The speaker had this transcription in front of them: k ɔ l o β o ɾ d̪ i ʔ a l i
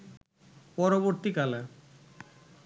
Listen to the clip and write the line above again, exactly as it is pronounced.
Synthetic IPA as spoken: p ɔ ɾ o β o ɾ t̪ i k a l a